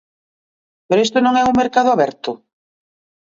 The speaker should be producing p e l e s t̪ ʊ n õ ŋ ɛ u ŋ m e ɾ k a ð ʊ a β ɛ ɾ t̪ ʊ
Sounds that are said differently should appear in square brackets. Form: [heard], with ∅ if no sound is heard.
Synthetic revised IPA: p e [ɾ] e s t̪ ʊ n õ ŋ ɛ u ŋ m e ɾ k a ð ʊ a β ɛ ɾ t̪ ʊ